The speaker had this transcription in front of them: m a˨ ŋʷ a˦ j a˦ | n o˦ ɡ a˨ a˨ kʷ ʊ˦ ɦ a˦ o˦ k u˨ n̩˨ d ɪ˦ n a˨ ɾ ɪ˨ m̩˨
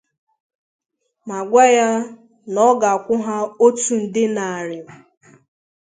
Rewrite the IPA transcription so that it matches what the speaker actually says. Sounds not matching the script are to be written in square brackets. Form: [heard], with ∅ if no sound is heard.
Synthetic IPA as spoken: m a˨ [ɡʷ] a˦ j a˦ | n [ɔ˦] ɡ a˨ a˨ kʷ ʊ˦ ɦ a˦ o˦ [t] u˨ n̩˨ d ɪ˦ n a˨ ɾ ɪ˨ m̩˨

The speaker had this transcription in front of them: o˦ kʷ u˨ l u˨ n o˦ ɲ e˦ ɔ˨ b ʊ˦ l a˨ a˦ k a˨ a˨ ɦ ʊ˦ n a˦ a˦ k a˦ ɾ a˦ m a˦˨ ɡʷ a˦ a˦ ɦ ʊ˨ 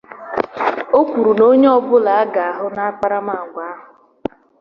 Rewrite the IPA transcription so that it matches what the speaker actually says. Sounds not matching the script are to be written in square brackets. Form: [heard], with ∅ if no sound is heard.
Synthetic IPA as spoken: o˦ kʷ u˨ [ɾ] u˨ n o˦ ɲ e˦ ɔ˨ b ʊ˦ l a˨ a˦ [ɡ] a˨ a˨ ɦ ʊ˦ n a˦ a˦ [k͡p] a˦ ɾ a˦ m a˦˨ ɡʷ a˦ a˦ ɦ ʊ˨

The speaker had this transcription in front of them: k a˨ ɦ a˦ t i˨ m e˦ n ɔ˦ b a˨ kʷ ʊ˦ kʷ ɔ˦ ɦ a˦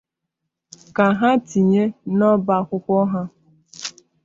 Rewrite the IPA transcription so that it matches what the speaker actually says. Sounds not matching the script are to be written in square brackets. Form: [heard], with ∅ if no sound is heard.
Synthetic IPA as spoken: k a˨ ɦ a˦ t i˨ [ɲ] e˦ n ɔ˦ b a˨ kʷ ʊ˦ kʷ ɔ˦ ɦ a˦

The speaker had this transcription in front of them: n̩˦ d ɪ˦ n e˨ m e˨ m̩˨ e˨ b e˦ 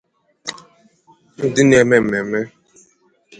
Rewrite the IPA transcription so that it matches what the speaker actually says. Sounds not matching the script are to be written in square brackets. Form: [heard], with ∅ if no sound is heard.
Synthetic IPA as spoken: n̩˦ d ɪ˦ n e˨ m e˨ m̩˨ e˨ [m] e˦

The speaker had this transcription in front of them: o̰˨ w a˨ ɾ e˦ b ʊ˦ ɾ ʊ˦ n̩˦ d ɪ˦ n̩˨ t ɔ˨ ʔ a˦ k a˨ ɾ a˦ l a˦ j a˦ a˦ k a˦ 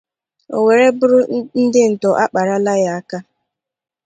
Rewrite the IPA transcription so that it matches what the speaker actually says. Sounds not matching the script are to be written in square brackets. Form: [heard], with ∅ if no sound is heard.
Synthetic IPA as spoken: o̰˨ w [e˨] ɾ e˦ b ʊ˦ ɾ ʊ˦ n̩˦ d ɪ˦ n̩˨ t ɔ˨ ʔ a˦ [k͡p] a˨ ɾ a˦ l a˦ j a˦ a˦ k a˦

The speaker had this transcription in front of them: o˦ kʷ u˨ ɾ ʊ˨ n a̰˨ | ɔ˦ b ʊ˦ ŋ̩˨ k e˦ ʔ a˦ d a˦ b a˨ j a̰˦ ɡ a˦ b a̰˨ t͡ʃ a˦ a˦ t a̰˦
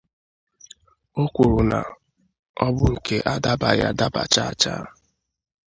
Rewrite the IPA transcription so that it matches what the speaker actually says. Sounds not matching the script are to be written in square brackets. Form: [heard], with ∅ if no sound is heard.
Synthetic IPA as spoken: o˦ kʷ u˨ ɾ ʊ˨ n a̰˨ | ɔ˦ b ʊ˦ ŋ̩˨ k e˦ ʔ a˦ d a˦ b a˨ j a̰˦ [d] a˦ b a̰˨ t͡ʃ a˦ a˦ [t͡ʃ] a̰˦

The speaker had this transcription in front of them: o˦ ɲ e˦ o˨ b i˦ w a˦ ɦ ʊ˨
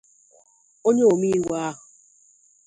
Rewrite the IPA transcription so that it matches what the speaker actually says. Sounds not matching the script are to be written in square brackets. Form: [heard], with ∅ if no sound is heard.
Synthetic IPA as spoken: o˦ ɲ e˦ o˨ [m] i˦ w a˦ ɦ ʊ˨

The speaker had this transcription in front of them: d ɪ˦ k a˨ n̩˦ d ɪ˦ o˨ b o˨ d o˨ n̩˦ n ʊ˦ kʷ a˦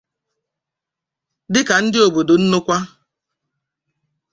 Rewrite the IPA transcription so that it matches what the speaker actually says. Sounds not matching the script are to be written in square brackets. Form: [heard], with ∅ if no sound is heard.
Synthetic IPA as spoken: d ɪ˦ k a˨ n̩˦ d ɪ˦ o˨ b o˨ d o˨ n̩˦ n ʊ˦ kʷ a˦

